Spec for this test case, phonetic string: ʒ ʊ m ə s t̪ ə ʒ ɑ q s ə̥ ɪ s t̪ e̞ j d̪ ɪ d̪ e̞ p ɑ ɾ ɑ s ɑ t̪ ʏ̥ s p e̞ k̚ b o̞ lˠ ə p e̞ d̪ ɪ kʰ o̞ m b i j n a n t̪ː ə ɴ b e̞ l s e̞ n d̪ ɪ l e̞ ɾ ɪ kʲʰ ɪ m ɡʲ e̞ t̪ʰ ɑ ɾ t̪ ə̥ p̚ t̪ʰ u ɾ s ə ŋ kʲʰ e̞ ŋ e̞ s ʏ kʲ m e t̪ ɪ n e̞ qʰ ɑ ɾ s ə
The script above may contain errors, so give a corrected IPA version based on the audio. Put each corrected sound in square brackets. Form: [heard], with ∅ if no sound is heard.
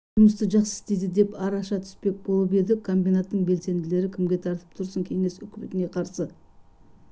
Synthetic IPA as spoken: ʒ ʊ m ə s t̪ ə ʒ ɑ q s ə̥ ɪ s t̪ e̞ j d̪ ɪ d̪ e̞ p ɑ ɾ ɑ [ʃ] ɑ [t̪ʰ] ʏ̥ s p e̞ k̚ b o̞ lˠ ə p e̞ d̪ ɪ kʰ o̞ m b i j n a [∅] t̪ː ə ɴ b e̞ l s e̞ n d̪ ɪ l e̞ ɾ ɪ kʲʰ ɪ m ɡʲ e̞ t̪ʰ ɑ ɾ t̪ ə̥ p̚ t̪ʰ [ʊ] ɾ s ə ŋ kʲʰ e̞ ŋ e̞ s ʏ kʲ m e t̪ ɪ n e̞ qʰ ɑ ɾ s ə